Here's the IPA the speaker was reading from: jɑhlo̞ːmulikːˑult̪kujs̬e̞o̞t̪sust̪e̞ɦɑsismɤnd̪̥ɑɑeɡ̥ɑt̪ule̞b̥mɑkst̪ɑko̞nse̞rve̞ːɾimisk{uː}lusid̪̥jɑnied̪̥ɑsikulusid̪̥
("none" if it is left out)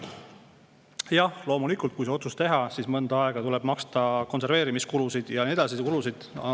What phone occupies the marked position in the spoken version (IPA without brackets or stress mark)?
u